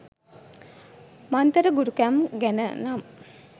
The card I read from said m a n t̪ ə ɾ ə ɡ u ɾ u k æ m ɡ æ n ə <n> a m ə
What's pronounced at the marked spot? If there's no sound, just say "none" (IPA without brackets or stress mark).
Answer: n